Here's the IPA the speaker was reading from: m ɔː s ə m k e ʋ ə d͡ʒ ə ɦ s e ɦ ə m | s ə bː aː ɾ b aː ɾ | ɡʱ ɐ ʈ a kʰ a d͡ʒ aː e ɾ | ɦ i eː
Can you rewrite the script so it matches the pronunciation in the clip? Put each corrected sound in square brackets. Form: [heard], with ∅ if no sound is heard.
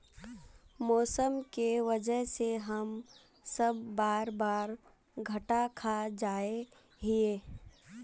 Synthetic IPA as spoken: m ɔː s ə m k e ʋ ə d͡ʒ ə ɦ s e ɦ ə m | s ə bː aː ɾ b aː ɾ | ɡʱ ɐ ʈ a kʰ a d͡ʒ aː e [∅] | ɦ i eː

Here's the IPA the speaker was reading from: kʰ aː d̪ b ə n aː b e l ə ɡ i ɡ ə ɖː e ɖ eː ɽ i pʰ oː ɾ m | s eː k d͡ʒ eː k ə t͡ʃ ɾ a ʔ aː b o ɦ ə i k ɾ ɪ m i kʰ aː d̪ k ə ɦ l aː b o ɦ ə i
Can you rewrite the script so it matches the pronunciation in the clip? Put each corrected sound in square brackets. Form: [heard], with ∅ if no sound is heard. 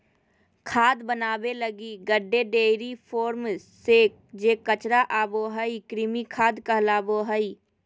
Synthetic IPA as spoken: kʰ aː d̪ b ə n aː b e l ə ɡ i ɡ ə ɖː e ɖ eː [ɾ] i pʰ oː ɾ m | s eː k d͡ʒ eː k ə t͡ʃ ɾ a ʔ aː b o ɦ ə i k ɾ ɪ m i kʰ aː d̪ k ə ɦ l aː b o ɦ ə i

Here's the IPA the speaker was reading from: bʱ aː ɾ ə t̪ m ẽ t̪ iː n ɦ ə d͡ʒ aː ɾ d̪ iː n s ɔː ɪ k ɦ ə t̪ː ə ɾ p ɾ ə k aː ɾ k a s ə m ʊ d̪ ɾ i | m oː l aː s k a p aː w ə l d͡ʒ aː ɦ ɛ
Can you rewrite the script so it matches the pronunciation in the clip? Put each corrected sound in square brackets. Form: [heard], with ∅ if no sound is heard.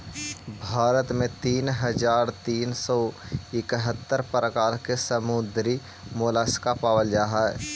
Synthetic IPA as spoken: bʱ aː ɾ ə t̪ m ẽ t̪ iː n ɦ ə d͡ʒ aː ɾ [t̪] iː n s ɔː ɪ k ɦ ə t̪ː ə ɾ p ɾ ə k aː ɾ k [e] s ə m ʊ d̪ ɾ i | m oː l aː s k a p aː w ə l d͡ʒ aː ɦ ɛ

